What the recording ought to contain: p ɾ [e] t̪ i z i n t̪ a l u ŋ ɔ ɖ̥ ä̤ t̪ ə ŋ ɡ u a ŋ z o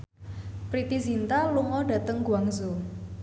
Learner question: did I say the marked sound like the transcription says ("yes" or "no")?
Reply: no